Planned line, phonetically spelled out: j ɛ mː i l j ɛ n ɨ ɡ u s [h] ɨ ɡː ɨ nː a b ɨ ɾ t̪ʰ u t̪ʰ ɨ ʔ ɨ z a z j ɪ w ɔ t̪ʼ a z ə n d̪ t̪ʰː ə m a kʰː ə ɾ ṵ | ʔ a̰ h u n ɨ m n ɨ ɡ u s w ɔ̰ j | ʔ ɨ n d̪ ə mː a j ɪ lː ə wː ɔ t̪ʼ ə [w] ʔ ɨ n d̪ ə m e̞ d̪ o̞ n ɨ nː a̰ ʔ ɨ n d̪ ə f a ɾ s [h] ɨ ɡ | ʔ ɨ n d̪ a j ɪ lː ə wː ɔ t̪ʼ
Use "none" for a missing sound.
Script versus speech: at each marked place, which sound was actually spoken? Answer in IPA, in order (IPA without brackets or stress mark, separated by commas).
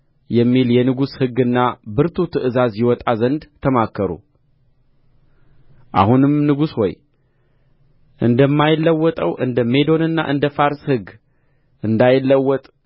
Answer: h, w, h